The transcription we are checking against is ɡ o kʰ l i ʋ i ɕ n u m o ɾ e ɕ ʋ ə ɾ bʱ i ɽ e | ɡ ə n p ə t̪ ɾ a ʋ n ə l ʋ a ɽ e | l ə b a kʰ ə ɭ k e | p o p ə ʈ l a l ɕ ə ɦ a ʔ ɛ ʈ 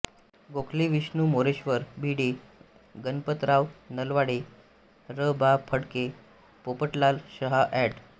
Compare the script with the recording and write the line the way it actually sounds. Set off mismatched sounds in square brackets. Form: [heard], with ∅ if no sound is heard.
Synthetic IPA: ɡ o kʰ l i ʋ i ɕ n u m o ɾ e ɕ ʋ ə ɾ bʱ i ɽ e | ɡ ə n p ə t̪ ɾ a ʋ n ə l ʋ a ɽ e | [ɾ] ə b a [pʰ] ə [ɽ] k e | p o p ə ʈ l a l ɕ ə ɦ a ʔ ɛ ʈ